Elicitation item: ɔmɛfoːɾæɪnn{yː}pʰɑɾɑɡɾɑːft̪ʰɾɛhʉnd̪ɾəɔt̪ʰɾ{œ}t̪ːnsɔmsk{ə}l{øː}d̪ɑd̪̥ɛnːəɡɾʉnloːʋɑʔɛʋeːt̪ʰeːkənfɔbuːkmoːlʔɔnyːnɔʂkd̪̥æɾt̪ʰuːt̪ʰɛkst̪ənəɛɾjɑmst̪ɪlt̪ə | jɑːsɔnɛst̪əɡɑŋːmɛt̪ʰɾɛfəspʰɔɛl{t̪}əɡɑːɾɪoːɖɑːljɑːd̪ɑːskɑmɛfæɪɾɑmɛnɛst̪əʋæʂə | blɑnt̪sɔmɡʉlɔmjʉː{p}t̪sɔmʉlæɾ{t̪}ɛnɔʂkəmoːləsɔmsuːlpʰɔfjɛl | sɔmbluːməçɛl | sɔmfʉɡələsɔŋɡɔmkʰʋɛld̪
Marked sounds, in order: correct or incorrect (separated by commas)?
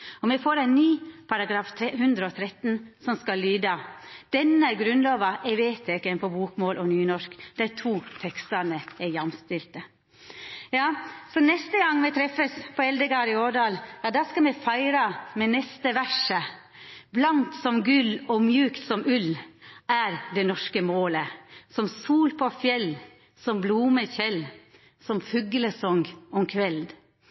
correct, incorrect, incorrect, incorrect, incorrect, incorrect, incorrect